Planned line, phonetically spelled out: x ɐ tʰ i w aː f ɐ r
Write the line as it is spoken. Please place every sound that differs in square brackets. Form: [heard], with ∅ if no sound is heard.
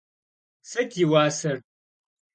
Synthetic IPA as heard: [s] ɐ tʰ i w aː [s] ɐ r